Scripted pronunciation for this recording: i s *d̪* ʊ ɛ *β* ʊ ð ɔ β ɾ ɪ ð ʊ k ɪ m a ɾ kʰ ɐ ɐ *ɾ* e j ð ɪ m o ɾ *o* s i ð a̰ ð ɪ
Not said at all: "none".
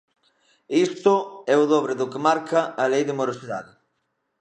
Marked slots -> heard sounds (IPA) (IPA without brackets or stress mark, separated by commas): t̪, none, l, o